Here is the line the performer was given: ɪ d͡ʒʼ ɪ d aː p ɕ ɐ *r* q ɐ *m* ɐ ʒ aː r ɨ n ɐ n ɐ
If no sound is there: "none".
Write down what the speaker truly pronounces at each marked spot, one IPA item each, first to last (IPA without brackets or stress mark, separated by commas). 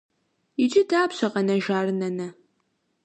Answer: none, n